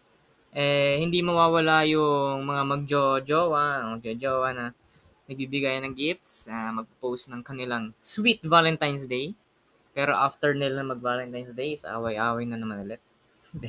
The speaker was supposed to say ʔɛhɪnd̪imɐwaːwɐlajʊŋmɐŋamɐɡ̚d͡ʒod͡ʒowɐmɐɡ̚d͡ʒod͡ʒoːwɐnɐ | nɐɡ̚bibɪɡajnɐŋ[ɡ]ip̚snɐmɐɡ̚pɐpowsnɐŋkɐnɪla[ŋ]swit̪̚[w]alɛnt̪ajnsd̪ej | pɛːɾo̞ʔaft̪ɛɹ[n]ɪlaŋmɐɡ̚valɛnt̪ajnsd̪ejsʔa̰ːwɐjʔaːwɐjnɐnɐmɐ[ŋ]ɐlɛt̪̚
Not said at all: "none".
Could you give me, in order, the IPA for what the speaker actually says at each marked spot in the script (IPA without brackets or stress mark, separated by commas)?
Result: ɡ, ŋ, v, n, n